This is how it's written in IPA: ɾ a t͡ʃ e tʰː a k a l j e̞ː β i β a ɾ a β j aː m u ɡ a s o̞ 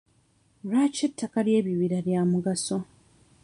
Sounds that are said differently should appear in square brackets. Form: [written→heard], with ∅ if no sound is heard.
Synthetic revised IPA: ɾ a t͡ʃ e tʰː a k a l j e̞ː β i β [a→i] ɾ a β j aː m u ɡ a s o̞